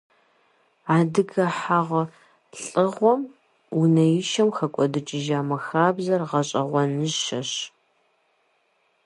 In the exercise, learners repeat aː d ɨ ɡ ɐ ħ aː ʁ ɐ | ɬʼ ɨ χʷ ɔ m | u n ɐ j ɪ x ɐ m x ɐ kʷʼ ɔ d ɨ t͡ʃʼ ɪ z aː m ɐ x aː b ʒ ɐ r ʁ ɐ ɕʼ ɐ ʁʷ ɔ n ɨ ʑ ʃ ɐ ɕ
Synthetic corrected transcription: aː d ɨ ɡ ɐ ħ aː ʁ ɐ | ɬʼ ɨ ʁʷ ɔ m | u n ɐ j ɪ ʃ ɐ m x ɐ kʷʼ ɔ d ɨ t͡ʃʼ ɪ ʒ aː m ɐ x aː b z ɐ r ʁ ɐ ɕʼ ɐ ʁʷ ɔ n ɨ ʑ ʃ ɐ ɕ